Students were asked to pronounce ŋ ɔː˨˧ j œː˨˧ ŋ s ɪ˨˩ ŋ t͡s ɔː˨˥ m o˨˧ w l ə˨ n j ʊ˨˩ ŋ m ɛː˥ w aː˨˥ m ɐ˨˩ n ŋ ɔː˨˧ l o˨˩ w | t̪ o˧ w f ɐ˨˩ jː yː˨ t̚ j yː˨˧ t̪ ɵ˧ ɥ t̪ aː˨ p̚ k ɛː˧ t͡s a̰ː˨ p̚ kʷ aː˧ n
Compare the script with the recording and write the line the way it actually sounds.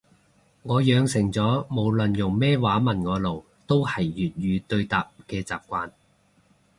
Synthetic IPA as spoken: ŋ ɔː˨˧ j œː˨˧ ŋ s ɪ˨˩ ŋ t͡s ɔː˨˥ m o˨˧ w l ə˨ n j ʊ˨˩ ŋ m ɛː˥ w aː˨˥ m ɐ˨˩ n ŋ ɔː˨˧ l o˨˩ w | t̪ o˥ w h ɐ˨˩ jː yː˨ t̚ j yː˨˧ t̪ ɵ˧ ɥ t̪ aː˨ p̚ k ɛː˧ t͡s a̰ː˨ p̚ kʷ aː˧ n